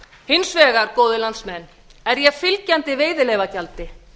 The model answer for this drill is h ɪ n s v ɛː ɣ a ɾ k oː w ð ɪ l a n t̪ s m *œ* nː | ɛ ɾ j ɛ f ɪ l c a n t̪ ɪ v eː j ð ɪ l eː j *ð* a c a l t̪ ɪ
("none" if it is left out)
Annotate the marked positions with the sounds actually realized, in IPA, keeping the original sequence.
ɛ, v

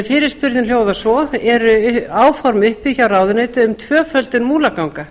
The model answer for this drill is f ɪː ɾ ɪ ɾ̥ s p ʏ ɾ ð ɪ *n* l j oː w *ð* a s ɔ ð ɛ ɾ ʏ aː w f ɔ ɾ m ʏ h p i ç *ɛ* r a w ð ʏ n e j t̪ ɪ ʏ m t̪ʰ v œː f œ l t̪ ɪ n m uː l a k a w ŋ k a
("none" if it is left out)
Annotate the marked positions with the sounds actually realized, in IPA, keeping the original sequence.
n, ð, a

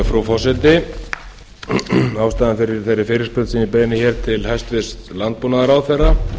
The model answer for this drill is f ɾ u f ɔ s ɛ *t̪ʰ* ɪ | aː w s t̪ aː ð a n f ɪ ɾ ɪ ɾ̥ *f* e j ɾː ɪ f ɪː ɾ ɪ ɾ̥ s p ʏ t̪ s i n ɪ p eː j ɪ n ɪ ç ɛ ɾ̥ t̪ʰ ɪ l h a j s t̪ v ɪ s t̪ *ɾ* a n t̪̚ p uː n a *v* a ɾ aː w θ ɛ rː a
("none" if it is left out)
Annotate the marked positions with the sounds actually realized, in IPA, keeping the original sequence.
t̪, θ, l, ð

